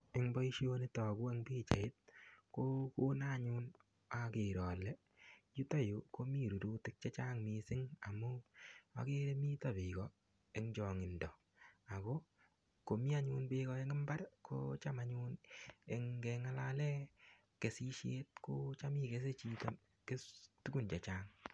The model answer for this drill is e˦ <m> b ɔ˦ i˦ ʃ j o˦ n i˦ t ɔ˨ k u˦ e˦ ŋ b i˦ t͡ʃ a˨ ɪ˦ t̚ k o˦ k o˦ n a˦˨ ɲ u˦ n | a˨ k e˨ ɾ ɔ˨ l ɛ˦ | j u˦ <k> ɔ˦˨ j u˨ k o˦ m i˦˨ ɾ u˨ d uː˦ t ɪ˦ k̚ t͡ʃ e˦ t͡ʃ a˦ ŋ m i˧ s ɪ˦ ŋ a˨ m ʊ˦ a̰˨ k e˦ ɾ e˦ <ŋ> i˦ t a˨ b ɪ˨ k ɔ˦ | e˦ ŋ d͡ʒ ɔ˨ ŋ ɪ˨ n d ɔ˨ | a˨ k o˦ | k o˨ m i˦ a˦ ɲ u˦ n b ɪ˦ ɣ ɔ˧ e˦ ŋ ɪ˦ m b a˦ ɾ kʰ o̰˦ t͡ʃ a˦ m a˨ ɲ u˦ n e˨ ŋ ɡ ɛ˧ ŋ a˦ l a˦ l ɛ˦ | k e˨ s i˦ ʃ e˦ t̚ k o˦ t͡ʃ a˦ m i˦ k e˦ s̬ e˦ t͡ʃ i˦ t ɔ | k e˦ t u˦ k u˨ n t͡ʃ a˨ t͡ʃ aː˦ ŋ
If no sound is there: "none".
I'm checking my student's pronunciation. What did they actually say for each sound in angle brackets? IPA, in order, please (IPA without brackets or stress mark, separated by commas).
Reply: ŋ, t, m